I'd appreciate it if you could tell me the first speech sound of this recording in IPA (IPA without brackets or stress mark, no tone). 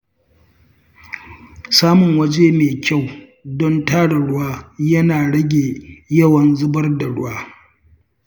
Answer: s